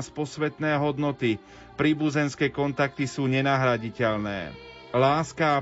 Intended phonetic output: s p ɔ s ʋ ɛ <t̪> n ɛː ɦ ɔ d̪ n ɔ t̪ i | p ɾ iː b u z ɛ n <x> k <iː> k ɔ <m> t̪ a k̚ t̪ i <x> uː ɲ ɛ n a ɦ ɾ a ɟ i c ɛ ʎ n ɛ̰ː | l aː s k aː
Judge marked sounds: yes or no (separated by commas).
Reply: yes, no, no, no, no